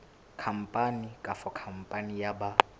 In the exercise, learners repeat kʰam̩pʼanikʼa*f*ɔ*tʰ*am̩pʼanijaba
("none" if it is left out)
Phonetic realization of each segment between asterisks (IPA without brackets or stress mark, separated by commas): f, kʰ